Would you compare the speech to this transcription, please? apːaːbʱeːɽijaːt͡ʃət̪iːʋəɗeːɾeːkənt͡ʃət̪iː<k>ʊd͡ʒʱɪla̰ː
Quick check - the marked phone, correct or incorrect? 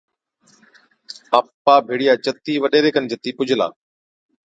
incorrect